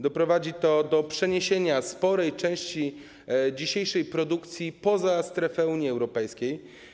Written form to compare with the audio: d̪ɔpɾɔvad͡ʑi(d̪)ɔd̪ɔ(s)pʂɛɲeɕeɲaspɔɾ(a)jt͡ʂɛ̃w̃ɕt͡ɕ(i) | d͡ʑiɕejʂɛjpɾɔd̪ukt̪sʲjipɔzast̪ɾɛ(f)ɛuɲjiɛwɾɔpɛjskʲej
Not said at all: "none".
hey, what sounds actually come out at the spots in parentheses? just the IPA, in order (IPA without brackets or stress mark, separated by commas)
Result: t̪, none, ɛ, i, f